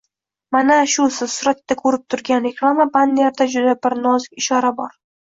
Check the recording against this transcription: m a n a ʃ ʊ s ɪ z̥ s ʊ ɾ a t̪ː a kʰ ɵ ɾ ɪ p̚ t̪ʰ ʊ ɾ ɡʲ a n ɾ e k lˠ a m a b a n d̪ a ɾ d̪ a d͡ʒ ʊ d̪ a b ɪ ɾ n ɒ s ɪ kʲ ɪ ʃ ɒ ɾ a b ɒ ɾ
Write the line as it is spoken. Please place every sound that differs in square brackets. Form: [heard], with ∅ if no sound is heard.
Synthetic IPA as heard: m a n a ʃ ʊ s ɪ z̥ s ʊ ɾ a t̪ː a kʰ ɵ ɾ ɪ p̚ t̪ʰ ʊ ɾ ɡʲ a n ɾ e k lˠ a m a b a n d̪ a ɾ d̪ a d͡ʒ ʊ d̪ a b ɪ ɾ n ɒ [z] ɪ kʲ ɪ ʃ ɒ ɾ a b ɒ ɾ